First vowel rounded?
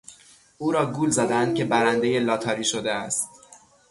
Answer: yes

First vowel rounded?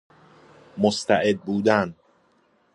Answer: yes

